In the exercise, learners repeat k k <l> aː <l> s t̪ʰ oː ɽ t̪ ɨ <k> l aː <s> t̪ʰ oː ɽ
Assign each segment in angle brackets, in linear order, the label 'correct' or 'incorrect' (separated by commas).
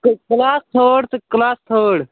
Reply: correct, incorrect, correct, correct